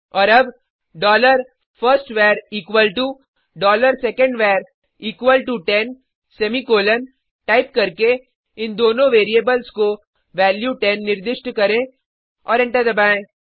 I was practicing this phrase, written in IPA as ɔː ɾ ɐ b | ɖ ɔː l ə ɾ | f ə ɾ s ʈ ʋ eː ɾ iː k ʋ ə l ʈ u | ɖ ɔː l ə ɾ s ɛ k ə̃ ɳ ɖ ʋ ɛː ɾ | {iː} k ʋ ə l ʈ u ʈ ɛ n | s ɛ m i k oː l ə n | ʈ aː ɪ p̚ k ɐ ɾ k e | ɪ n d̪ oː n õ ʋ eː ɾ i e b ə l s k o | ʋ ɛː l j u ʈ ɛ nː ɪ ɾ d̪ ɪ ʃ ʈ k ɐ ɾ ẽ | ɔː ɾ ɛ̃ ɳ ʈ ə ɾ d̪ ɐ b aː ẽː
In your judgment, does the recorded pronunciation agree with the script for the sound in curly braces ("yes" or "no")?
yes